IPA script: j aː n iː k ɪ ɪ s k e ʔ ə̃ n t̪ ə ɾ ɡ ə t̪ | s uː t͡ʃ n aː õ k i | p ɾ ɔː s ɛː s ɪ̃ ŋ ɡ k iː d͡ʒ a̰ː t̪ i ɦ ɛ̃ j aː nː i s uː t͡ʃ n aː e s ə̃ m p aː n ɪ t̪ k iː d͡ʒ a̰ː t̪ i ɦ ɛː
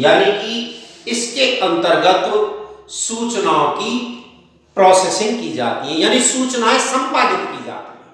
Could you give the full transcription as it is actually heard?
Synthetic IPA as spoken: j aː n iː k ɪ ɪ s k e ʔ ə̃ n t̪ ə ɾ ɡ ə t̪ | s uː t͡ʃ n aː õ k i | p ɾ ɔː s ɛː s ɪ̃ ŋ ɡ k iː d͡ʒ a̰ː t̪ i ɦ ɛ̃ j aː n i s uː t͡ʃ n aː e s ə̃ m p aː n ɪ t̪ k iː d͡ʒ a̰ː t̪ i ɦ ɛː